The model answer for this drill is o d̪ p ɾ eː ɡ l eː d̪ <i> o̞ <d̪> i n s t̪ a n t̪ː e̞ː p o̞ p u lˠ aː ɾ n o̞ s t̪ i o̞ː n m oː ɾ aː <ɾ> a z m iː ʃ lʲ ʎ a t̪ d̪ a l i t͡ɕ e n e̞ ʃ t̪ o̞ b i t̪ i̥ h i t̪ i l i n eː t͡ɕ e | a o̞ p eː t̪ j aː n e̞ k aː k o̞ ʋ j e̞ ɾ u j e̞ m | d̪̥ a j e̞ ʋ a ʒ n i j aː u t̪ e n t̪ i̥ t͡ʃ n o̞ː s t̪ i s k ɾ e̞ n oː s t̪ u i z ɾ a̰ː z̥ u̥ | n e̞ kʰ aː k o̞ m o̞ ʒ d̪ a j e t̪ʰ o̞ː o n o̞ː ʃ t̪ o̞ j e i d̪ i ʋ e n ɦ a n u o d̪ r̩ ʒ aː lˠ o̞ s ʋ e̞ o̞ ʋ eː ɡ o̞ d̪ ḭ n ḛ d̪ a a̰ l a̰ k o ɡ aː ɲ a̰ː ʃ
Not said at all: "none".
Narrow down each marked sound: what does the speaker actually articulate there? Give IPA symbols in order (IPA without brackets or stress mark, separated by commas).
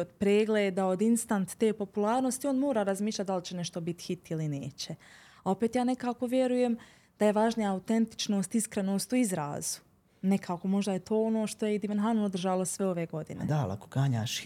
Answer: a, d̪, ɾ